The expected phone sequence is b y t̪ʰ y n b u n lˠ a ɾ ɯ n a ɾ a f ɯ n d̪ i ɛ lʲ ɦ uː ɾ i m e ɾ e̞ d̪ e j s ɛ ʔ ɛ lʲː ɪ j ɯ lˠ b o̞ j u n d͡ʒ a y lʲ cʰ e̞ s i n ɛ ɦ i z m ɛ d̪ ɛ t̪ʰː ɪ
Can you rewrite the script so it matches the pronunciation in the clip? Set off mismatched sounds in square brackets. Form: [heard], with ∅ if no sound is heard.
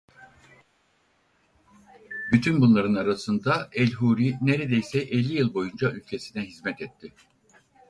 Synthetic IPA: b y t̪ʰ y n b u n lˠ a ɾ ɯ n a ɾ a [s] ɯ n d̪ [a] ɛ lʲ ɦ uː ɾ i [n] e ɾ e̞ d̪ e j s ɛ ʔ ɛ lʲː [i] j ɯ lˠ b o̞ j u n d͡ʒ a y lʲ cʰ e̞ s i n ɛ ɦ i z m ɛ [t̪] ɛ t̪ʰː ɪ